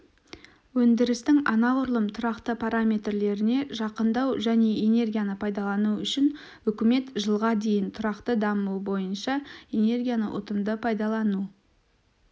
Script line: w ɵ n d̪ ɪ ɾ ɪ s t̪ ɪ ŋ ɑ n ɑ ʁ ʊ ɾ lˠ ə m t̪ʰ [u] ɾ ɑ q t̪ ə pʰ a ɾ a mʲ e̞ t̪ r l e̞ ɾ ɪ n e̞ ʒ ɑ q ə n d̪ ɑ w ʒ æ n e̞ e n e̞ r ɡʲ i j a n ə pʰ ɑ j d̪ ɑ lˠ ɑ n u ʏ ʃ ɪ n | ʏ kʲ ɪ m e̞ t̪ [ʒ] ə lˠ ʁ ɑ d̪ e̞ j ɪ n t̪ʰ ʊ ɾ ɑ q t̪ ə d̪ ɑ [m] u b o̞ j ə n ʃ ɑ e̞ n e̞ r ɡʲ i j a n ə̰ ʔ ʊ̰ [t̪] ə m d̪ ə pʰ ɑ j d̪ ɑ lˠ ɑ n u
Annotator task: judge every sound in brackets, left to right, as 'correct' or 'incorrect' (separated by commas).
incorrect, correct, correct, correct